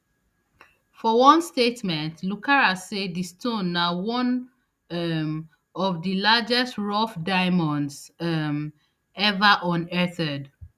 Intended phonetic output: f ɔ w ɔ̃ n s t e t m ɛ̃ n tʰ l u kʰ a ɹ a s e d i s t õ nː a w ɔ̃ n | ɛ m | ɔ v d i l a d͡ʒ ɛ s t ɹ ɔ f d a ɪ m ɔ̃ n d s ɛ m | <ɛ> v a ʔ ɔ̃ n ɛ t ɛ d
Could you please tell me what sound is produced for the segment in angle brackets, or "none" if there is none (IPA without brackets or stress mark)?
ɛ